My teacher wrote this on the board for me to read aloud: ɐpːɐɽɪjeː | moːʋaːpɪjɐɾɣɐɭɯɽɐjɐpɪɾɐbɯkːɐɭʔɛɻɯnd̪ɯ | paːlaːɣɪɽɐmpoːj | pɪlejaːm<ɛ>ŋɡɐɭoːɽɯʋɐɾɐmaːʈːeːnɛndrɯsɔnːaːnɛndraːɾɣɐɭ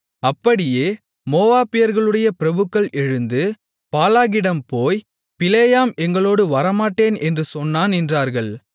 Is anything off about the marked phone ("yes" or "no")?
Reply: no